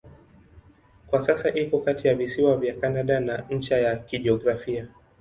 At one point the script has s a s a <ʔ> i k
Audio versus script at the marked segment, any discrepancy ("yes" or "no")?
no